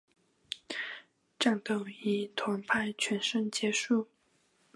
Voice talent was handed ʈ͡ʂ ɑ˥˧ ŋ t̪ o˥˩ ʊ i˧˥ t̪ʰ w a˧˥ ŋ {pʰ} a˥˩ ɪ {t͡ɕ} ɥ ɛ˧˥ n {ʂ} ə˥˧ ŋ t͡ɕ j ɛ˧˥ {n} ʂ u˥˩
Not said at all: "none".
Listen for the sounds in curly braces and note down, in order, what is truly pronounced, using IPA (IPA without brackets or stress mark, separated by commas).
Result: pʰ, t͡ɕʰ, ʂ, none